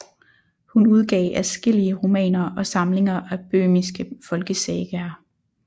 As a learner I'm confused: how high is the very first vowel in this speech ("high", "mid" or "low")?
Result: high